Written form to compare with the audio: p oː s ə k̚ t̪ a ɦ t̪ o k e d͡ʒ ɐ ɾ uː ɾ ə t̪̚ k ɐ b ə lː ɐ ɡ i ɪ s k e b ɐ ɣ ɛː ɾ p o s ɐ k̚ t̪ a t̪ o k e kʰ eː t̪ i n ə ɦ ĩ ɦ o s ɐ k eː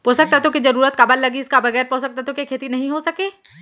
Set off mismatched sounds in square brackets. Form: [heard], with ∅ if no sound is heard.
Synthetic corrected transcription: p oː s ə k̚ t̪ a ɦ t̪ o k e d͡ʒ ɐ ɾ uː ɾ ə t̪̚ k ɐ b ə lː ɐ ɡ i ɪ s k [a] b ɐ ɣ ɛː ɾ p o s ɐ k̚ t̪ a t̪ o k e kʰ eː t̪ i n [ɐ] ɦ ĩ ɦ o s ɐ k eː

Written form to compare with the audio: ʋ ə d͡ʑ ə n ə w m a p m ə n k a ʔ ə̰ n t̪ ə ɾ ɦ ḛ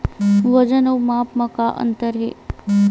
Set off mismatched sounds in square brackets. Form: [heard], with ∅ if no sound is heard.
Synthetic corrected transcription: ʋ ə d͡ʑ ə n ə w m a p m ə [∅] k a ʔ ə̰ n t̪ ə ɾ ɦ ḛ

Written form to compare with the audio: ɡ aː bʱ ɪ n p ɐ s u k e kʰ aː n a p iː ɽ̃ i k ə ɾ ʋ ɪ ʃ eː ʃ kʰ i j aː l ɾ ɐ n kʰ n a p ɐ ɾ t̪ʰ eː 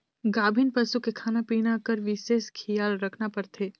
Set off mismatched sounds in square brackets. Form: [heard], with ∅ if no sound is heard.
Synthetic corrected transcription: ɡ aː bʱ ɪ n p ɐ s u k e kʰ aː n a p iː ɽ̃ [a] k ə ɾ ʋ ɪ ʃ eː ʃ kʰ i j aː l ɾ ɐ [∅] kʰ n a p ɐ ɾ t̪ʰ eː

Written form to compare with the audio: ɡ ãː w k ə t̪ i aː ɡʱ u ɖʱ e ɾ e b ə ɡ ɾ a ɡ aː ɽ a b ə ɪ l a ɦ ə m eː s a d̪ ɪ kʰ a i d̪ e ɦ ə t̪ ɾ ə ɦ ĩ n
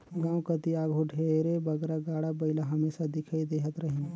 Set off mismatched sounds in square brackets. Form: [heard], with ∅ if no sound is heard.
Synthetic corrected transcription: ɡ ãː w k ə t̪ i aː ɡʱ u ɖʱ e ɾ e b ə ɡ ɾ a ɡ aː ɽ a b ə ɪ l a ɦ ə m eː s a d̪ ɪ kʰ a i d̪ e ɦ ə t̪ ɾ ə ɦ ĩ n

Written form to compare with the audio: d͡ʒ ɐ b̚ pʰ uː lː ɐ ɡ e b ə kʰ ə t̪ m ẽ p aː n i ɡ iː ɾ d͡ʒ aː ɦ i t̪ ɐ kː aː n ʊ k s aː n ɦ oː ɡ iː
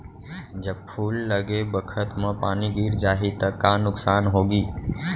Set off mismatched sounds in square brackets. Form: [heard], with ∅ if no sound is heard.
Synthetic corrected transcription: d͡ʒ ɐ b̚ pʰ uː lː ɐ ɡ e b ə kʰ ə t̪ m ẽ p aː n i ɡ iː ɾ d͡ʒ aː ɦ i t̪ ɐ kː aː n ʊ k s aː n ɦ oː ɡ iː

